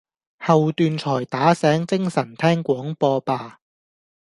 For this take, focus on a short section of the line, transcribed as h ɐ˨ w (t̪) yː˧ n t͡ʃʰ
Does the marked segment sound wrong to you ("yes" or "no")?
no